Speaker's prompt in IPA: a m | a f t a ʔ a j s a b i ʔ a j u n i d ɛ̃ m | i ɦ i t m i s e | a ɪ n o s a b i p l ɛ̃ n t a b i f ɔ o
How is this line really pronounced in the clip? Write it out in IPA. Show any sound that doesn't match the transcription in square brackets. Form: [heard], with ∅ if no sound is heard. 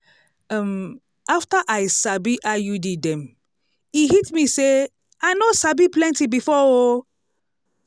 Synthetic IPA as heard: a m | a f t a ʔ a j s a b i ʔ a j u [d] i d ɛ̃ m | i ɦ i t m i s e | a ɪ n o s a b i p l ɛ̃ n t [i] b i f ɔ o